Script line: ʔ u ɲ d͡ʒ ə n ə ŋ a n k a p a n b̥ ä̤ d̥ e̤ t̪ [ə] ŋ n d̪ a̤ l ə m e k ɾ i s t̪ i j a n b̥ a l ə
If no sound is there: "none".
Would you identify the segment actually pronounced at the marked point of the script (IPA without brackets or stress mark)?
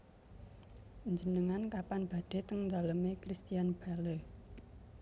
ə